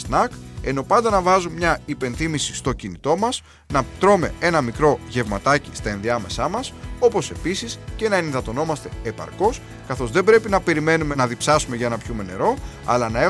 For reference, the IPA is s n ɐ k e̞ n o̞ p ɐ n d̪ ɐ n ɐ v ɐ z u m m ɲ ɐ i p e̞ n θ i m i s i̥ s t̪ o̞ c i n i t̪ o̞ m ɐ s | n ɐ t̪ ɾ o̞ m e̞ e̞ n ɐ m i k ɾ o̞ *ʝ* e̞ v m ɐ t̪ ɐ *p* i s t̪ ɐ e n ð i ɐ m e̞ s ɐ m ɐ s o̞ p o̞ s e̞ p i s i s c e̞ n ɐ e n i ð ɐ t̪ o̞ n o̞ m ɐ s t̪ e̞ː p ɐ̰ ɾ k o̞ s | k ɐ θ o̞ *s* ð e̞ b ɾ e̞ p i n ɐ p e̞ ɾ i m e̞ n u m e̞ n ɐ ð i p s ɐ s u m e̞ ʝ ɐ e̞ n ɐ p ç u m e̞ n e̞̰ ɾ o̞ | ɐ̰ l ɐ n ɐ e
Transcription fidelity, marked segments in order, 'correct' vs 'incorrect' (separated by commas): correct, incorrect, incorrect